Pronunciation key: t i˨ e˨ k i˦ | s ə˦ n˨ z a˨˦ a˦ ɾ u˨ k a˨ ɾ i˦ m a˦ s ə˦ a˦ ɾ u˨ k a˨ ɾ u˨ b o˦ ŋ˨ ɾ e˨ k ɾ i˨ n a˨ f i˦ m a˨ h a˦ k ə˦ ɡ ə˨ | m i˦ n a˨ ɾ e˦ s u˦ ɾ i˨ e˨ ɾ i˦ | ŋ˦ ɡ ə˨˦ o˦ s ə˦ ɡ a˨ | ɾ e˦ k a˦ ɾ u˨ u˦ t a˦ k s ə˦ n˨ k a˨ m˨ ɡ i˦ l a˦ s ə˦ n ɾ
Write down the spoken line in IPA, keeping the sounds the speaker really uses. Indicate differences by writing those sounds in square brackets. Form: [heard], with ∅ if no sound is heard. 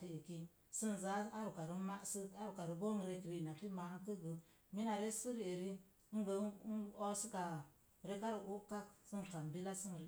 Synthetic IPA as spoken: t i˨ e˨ k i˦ | s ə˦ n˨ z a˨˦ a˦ ɾ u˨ k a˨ ɾ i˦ m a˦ s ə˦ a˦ ɾ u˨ k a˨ ɾ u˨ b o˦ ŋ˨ ɾ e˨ k ɾ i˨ n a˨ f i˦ m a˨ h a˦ k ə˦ ɡ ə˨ | m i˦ n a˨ ɾ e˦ s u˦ ɾ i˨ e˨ ɾ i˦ | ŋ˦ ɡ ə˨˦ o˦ s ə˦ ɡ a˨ | ɾ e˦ k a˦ ɾ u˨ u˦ [k] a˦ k s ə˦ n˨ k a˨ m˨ [b] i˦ l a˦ s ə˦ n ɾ